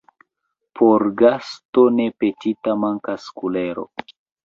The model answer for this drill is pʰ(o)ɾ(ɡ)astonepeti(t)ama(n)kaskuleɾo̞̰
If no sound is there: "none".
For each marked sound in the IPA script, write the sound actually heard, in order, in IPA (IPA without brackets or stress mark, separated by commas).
o, ɡ, t, ŋ